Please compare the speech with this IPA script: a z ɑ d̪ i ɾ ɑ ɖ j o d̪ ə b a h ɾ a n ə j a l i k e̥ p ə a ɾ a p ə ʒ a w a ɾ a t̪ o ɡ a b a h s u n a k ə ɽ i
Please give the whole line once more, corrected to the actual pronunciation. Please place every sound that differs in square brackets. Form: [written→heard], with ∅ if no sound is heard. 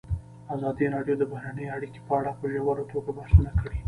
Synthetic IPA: a z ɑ d̪ i ɾ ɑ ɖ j o d̪ ə b a h ɾ a n ə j a [l→ɽ] i k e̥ p ə a [ɾ→ɽ] a p ə ʒ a w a ɾ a t̪ o ɡ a b a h s u n a k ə ɽ i

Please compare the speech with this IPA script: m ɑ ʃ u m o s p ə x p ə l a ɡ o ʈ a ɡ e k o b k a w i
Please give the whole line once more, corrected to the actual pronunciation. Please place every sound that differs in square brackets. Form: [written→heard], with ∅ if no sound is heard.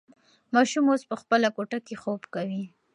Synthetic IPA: m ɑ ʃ u m o s p ə x p ə l a [ɡ→k] o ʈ a [ɡ→k] e [k→x] o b k a w i

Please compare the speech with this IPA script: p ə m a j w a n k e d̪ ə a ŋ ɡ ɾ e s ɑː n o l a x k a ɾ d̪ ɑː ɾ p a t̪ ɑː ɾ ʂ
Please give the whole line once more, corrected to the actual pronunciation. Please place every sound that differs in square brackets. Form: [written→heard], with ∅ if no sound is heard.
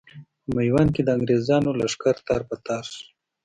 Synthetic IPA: p ə m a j w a n k e d̪ ə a ŋ ɡ ɾ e [s→z] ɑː n o l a [x→ʂ] k a ɾ [d̪→t̪] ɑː ɾ p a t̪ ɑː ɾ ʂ

